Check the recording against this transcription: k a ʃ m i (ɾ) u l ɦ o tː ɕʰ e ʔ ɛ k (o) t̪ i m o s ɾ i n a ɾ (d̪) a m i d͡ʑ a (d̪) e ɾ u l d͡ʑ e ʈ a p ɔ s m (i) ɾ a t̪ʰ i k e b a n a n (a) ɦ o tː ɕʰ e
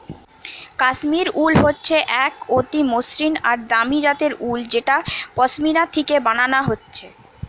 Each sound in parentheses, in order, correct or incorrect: correct, correct, correct, incorrect, correct, correct

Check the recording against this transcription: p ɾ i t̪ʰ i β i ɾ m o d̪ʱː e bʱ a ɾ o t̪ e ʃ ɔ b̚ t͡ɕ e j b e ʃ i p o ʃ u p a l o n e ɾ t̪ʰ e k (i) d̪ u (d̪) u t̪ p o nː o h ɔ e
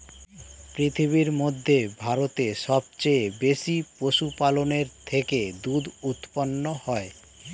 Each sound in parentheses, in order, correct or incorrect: incorrect, correct

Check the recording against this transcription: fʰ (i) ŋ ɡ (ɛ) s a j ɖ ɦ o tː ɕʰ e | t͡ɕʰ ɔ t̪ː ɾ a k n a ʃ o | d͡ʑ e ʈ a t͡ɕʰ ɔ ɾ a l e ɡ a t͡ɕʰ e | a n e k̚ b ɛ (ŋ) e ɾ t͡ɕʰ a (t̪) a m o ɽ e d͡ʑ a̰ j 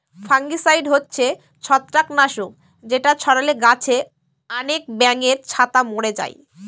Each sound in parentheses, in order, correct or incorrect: incorrect, incorrect, correct, correct

